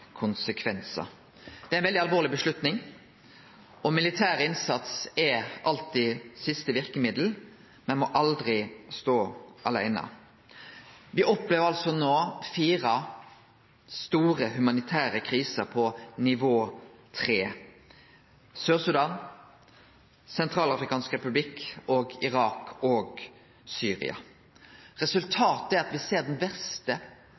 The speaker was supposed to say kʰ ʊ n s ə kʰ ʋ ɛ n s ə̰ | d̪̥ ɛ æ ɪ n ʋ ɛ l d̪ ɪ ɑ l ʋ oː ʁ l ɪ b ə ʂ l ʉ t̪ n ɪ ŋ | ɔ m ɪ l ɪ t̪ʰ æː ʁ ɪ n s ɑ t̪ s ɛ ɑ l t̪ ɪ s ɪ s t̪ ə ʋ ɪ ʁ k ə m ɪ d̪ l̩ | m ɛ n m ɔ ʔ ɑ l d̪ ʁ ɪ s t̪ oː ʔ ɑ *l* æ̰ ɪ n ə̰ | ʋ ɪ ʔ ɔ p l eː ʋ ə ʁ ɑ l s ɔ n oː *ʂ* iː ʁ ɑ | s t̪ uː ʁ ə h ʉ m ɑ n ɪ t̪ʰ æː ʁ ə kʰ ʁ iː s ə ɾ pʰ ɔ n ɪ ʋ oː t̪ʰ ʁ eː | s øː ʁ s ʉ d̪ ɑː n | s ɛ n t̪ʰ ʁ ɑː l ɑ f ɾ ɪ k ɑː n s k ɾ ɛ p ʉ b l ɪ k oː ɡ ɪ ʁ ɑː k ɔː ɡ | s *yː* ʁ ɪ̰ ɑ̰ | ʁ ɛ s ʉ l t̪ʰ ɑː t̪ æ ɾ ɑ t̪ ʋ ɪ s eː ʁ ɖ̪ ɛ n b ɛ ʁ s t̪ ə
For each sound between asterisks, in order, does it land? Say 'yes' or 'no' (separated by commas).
yes, no, yes